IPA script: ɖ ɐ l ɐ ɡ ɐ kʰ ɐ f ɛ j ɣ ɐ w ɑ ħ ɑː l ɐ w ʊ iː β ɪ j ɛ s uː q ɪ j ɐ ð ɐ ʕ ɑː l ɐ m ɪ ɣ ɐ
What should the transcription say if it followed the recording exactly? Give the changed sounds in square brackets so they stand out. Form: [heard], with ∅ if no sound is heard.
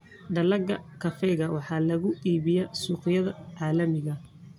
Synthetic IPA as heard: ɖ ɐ l ɐ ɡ ɐ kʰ ɐ f ɛ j ɣ ɐ w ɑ ħ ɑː l ɐ [ɣ] ʊ iː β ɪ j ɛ s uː q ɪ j ɐ ð ɐ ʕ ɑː l ɐ m ɪ ɣ ɐ